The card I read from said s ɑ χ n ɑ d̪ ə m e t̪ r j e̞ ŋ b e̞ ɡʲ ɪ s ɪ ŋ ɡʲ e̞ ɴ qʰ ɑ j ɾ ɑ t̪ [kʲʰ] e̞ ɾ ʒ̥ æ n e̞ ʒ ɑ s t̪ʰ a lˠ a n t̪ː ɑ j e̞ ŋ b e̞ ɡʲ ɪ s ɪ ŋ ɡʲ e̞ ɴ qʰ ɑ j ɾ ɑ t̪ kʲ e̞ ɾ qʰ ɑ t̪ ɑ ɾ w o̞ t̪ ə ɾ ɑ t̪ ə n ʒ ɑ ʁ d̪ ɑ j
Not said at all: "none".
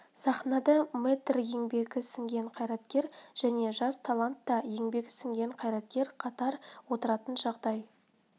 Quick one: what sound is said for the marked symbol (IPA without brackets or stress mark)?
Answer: kʲ